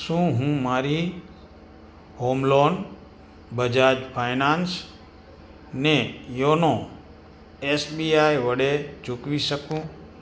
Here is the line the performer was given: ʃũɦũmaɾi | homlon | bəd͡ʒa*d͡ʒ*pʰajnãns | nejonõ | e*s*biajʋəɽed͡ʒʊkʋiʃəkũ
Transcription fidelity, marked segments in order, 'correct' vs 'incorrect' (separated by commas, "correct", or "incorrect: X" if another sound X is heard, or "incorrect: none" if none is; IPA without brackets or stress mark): correct, correct